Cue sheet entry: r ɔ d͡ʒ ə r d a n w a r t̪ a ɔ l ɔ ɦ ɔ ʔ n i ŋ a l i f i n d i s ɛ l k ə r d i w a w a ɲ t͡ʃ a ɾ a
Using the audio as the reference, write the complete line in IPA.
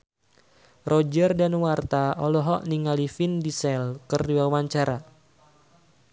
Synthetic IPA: r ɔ d͡ʒ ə r d a n w a r t̪ a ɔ l ɔ ɦ ɔ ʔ n i ŋ a l i f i n d i s ɛ l k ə r d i w a w a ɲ t͡ʃ a ɾ a